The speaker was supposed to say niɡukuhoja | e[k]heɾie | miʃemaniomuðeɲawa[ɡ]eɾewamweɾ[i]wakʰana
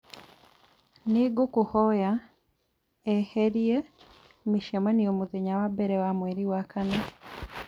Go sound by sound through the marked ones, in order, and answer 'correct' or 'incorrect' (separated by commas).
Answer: incorrect, incorrect, correct